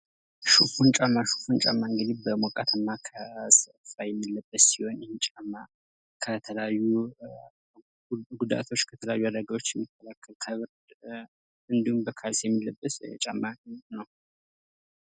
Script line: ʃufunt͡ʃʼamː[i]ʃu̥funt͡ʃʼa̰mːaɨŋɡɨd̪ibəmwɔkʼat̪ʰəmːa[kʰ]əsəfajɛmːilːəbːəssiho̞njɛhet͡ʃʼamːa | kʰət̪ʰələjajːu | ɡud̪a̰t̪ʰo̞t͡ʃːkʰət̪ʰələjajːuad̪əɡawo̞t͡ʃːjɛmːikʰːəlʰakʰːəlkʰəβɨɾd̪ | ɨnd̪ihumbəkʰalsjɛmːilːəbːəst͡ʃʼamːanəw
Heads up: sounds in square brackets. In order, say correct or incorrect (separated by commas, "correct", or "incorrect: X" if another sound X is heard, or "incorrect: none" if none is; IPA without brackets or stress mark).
incorrect: a, correct